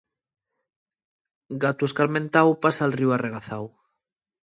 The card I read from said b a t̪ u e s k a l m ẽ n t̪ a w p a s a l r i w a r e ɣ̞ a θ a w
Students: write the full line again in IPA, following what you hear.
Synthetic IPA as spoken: ɡ a t̪ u e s k a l m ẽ n t̪ a w p a s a l r i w a r e ɣ̞ a θ a w